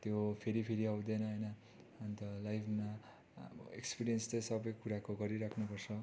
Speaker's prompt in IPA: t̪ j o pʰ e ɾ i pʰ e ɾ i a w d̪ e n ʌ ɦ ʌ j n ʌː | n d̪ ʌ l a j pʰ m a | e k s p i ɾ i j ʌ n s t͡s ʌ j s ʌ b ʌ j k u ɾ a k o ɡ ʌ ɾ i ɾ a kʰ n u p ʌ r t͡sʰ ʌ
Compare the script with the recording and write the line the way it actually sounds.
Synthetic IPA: t̪ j o pʰ e ɾ i pʰ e ɾ i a w d̪ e n ʌ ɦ ʌ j n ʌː | n t̪ ʌ l a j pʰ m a | e k s p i ɾ i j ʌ n s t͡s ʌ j s ʌ b ʌ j k u ɾ a k o ɡ ʌ ɾ i ɾ a kʰ n u p ʌ r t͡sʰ ʌ